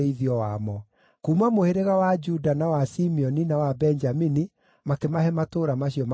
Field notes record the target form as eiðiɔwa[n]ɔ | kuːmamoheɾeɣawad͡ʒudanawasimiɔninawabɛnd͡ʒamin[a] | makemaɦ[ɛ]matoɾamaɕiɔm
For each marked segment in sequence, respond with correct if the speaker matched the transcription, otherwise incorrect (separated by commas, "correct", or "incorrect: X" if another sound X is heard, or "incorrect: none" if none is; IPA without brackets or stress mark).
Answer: incorrect: m, incorrect: i, correct